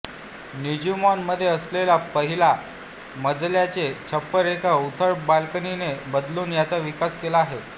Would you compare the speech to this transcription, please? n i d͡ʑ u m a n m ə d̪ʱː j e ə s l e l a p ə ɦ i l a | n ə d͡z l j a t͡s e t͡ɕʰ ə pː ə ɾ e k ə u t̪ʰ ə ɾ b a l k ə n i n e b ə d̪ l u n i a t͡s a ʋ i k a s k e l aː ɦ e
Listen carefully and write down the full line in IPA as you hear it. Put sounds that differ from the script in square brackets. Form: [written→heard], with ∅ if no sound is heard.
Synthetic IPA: n i d͡ʑ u m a n m ə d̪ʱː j e ə s l e l a p ə ɦ i l a | [n→m] ə d͡z l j a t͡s e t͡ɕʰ ə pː ə ɾ e k [ə→a] u t̪ʰ ə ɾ b a l k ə n i n e b ə d̪ l [u→uː] n [i→j] a t͡s a ʋ i k a s k e l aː ɦ e